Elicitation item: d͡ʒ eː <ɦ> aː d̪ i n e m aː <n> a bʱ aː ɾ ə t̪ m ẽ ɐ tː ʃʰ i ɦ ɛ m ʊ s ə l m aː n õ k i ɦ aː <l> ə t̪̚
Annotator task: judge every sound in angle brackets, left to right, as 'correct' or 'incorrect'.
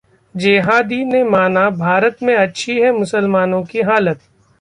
correct, correct, correct

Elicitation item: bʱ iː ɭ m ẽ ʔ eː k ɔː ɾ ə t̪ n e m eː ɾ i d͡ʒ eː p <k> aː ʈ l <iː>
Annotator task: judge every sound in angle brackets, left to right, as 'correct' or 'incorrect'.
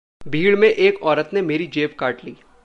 correct, correct

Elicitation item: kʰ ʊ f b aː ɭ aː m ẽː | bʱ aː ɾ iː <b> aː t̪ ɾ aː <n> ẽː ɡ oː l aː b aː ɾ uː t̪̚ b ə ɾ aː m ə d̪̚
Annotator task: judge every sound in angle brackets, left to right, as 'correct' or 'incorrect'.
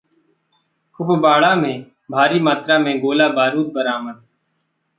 incorrect: m, incorrect: m

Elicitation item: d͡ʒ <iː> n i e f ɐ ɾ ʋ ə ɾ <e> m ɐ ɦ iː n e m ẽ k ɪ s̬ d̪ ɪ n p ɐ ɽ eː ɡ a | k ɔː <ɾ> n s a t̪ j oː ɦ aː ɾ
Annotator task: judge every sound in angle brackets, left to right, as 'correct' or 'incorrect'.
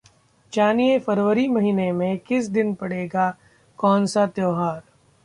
incorrect: aː, incorrect: i, incorrect: none

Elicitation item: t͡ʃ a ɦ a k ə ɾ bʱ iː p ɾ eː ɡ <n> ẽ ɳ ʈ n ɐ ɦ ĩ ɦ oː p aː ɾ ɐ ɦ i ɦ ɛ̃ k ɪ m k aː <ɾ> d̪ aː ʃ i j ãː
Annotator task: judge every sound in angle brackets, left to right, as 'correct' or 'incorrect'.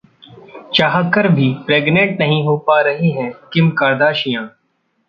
correct, correct

